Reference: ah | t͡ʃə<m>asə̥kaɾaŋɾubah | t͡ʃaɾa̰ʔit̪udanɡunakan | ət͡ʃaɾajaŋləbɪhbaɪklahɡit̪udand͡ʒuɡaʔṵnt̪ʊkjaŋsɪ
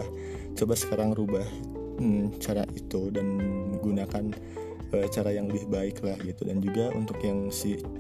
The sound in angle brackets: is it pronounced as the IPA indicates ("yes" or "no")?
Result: no